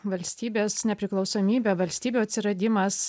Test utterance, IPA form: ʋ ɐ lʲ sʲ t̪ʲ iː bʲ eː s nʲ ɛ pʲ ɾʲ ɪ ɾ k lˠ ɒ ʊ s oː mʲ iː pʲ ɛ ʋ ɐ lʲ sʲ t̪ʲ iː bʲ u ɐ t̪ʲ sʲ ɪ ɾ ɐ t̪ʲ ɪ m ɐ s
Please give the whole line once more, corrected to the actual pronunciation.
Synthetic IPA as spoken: ʋ ɐ lʲ sʲ t̪ʲ iː bʲ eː s nʲ ɛ pʲ ɾʲ ɪ k lˠ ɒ ʊ s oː mʲ iː bʲ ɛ ʋ ɐ lʲ sʲ t̪ʲ iː bʲ u ɐ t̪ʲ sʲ ɪ ɾ ɐ d̪ʲ ɪ m ɐ s